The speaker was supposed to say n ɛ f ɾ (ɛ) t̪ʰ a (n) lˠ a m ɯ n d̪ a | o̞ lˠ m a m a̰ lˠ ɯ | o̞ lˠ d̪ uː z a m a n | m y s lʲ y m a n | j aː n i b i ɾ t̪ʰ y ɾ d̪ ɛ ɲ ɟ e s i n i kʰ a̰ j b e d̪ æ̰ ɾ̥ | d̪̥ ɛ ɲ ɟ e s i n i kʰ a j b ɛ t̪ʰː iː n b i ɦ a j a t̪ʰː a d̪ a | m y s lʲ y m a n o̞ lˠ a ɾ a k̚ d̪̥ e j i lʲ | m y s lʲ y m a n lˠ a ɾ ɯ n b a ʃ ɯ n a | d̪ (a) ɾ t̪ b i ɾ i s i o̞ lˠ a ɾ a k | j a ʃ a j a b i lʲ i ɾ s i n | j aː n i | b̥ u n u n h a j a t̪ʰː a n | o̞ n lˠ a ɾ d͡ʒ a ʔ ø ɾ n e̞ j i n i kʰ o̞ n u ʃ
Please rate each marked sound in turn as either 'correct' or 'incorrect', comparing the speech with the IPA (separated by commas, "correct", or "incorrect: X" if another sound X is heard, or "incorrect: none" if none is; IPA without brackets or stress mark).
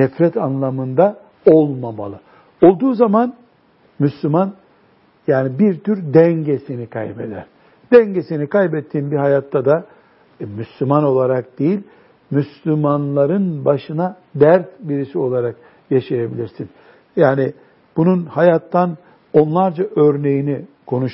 correct, correct, incorrect: æ